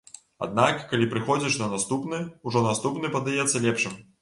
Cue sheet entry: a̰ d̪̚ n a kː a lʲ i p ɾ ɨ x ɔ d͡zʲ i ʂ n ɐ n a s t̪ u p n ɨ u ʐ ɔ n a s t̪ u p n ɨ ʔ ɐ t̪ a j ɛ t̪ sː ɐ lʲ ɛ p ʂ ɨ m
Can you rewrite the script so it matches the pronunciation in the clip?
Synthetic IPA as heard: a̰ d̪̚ n a kː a lʲ i p ɾ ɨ x ɔ d͡zʲ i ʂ n ɐ n a s t̪ u p n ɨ u ʐ ɔ n a s t̪ u p n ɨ p ɐ d̪ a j ɛ t̪ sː ɐ lʲ ɛ p ʂ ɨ m